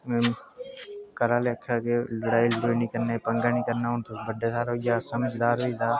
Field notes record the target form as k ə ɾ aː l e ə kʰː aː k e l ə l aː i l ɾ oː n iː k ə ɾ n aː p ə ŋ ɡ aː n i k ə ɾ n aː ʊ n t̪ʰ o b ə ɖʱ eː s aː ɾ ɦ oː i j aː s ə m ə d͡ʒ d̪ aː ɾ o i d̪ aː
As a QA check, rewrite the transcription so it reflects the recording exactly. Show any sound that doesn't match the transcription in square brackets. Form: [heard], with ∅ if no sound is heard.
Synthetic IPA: k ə ɾ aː l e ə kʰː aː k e l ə [ɽ] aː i l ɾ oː n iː k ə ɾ n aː p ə ŋ ɡ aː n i k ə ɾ n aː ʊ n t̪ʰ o b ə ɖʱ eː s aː ɾ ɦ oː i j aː s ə m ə d͡ʒ d̪ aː ɾ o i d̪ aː